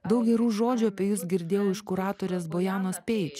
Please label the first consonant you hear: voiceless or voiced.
voiced